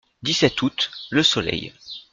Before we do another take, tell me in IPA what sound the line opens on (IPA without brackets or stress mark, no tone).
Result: d̪